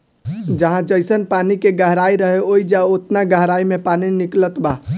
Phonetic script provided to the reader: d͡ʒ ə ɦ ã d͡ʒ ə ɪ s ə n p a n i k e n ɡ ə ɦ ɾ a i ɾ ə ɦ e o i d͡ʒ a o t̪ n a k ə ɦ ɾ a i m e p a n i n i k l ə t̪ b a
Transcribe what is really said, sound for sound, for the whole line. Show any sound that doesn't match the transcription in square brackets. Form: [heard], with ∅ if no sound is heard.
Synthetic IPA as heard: d͡ʒ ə ɦ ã d͡ʒ ə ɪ s ə n p a n i k e [∅] ɡ ə ɦ ɾ a i ɾ ə ɦ e o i d͡ʒ a o t̪ n a [ɡ] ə ɦ ɾ a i m e p a n i n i k l ə t̪ b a